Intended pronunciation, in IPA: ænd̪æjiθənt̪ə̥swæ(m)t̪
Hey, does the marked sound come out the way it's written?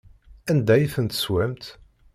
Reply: yes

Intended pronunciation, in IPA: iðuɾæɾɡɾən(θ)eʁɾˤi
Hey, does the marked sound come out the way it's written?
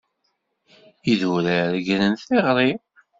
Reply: yes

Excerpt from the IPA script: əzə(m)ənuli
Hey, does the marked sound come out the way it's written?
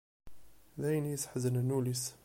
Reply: no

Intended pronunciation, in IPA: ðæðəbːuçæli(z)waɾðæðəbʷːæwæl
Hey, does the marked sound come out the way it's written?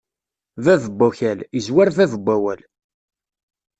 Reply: yes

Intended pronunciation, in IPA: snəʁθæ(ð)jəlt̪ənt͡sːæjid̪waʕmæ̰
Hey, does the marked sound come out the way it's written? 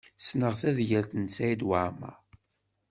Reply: yes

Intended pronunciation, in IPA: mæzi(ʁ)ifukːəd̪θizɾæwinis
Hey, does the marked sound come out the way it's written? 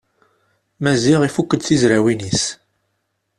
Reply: yes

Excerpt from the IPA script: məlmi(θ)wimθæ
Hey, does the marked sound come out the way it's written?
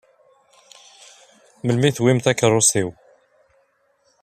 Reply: yes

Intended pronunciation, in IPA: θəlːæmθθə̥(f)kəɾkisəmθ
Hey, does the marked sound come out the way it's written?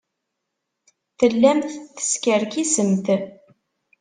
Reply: no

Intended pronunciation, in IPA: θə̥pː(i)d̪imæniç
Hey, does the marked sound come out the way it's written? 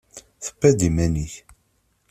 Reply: no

